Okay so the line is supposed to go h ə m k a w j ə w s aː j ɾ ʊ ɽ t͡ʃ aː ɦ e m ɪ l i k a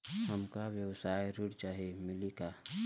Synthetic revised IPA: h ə m k a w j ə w s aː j ɾ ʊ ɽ t͡ʃ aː ɦ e m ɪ l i k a